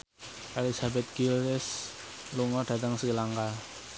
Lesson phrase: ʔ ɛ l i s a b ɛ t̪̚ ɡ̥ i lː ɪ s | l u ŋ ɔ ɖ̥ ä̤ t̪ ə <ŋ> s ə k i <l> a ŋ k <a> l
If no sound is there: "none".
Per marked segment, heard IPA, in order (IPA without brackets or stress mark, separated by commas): ŋ, l, a